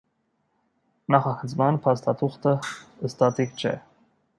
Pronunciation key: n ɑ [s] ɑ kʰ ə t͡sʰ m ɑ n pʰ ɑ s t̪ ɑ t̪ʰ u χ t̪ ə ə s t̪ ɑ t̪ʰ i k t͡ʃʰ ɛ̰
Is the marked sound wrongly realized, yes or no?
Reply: yes